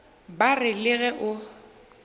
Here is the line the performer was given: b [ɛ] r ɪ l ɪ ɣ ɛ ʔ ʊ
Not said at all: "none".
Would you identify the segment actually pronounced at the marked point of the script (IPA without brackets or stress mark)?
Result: a